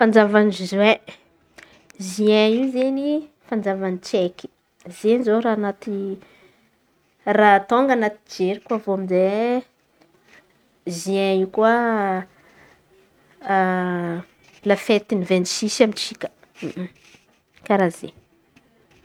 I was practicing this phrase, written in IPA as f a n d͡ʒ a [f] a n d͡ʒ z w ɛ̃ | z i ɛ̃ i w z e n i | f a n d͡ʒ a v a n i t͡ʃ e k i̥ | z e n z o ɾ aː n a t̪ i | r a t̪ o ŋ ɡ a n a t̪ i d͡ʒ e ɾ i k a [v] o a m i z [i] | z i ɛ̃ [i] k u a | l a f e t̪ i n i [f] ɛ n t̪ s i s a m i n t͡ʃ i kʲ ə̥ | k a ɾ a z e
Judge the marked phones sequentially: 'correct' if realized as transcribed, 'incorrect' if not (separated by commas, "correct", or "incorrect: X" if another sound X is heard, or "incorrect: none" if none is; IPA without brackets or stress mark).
incorrect: v, correct, incorrect: e, correct, incorrect: v